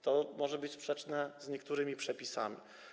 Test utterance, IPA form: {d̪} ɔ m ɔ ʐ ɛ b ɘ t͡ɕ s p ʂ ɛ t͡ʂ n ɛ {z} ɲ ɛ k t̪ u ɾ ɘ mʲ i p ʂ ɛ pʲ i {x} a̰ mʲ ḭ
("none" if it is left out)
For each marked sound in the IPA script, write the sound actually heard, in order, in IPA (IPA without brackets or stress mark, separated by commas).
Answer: t̪, z, s